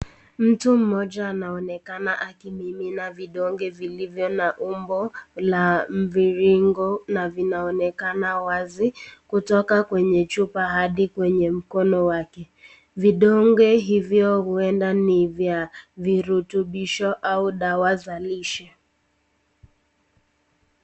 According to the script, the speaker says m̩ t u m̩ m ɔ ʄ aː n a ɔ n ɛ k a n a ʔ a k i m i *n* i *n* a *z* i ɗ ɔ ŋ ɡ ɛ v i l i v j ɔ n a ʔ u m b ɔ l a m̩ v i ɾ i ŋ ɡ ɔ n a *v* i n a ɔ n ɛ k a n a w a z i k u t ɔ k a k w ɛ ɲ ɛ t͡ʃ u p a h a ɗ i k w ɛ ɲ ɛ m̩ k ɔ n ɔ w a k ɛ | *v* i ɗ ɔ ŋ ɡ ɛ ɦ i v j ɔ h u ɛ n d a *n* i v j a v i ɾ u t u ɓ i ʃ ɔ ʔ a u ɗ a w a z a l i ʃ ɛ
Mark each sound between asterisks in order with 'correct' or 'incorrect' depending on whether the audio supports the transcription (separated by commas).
incorrect, correct, incorrect, correct, correct, correct